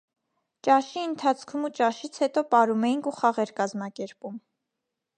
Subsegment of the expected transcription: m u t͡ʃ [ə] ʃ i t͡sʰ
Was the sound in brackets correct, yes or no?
no